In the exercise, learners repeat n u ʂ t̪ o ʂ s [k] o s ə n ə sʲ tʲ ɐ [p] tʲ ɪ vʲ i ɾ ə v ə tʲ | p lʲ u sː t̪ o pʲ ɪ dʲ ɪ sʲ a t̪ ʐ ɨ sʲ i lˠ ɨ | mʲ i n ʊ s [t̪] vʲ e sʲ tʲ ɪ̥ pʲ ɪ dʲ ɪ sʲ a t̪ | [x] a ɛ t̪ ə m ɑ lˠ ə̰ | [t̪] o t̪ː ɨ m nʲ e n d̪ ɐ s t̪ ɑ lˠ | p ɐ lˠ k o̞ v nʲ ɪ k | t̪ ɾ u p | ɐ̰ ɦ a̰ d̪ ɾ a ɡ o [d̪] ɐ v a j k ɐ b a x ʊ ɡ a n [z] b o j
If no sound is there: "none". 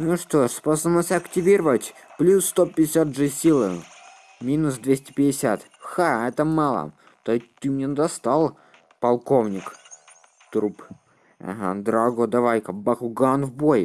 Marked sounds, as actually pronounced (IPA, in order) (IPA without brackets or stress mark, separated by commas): p, k, d̪, x, t̪, d̪, v